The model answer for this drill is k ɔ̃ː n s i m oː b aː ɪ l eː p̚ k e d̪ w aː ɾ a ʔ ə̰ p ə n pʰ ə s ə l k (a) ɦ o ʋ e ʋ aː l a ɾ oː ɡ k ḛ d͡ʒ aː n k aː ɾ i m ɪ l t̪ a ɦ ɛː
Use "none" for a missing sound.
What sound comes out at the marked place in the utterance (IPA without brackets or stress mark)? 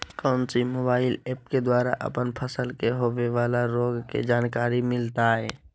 e